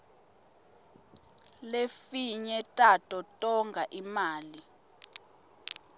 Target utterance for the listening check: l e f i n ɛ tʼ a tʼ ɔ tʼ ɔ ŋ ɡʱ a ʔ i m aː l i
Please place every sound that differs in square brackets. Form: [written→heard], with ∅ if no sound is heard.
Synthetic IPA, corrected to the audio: l e f i [n→ɲ] ɛ tʼ a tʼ ɔ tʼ ɔ ŋ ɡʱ a ʔ i m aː l i